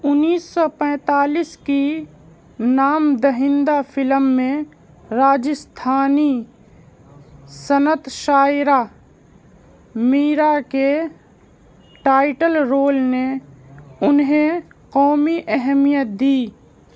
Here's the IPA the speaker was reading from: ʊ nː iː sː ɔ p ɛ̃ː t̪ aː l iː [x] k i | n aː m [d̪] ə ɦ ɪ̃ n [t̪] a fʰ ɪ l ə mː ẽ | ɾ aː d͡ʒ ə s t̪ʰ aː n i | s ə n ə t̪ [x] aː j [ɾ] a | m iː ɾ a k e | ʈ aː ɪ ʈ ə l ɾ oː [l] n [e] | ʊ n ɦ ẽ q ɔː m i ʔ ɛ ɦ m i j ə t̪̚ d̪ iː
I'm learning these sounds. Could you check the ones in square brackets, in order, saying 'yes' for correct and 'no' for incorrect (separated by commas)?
no, yes, no, no, yes, yes, yes